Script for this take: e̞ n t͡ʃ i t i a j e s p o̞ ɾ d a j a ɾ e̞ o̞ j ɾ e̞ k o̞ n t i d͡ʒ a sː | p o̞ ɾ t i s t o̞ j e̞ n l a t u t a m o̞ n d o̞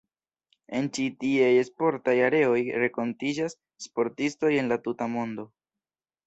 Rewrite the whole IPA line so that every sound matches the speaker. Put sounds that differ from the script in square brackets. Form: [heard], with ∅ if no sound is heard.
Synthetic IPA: e̞ n t͡ʃ i t i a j e s p o̞ ɾ [t] a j a ɾ e̞ o̞ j ɾ e̞ k o̞ n t i d͡ʒ a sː | p o̞ ɾ t i s t o̞ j e̞ n l a t u t a m o̞ n d o̞